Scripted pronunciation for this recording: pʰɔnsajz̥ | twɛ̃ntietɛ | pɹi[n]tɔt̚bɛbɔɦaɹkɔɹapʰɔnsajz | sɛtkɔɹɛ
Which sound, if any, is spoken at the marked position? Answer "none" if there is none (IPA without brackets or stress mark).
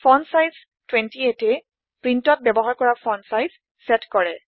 n